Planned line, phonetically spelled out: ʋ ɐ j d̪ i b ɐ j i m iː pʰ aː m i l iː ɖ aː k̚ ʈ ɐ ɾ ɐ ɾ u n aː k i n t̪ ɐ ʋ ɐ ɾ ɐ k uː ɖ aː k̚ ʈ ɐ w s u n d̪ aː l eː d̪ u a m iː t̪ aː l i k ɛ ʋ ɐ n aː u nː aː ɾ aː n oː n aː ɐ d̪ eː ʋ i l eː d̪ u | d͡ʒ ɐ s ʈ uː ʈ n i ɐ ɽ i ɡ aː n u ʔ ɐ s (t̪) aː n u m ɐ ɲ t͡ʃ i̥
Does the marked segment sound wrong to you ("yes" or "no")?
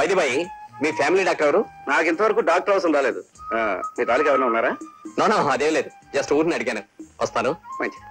no